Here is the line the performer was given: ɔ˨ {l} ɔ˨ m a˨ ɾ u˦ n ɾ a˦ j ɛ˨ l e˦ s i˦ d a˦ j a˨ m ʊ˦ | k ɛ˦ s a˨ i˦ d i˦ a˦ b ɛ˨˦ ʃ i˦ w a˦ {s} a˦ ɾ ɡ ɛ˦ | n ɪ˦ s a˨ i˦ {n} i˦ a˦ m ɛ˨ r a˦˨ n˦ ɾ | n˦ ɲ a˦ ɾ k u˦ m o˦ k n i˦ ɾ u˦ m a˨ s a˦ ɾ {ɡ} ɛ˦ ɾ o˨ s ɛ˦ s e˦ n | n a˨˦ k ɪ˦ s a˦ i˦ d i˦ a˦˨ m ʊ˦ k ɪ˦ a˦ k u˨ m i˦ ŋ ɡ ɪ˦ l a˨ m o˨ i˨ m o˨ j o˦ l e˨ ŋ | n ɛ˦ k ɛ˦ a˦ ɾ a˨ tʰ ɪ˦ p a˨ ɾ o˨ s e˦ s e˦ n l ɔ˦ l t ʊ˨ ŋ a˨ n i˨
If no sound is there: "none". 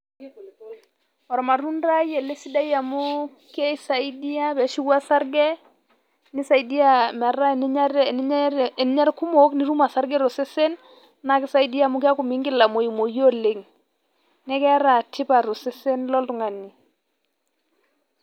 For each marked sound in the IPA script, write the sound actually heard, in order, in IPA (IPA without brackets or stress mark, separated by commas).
ɾ, s, d, ɡ